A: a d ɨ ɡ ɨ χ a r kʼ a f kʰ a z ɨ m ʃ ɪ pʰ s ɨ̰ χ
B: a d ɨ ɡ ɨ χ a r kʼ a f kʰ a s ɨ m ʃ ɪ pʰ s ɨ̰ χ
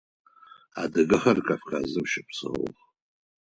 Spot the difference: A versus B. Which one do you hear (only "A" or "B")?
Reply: A